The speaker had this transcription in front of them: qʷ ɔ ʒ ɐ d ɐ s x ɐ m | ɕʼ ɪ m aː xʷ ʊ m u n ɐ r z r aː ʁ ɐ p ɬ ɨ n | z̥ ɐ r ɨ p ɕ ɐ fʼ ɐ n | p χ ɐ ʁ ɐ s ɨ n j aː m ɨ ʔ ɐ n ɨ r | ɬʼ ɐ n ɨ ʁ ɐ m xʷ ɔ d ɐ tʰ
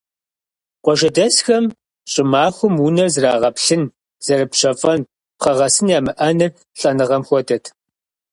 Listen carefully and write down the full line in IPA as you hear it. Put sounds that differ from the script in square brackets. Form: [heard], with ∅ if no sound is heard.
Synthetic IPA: qʷ ɔ ʒ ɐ d ɐ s x ɐ m | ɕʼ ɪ m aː xʷ ʊ m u n ɐ r z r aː ʁ ɐ p ɬ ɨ n | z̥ ɐ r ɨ p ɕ ɐ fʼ ɐ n | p χ ɐ ʁ ɐ s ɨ n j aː m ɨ ʔ ɐ n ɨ r | ɬʼ ɐ n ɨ ʁ ɐ m xʷ ɔ d ɐ tʰ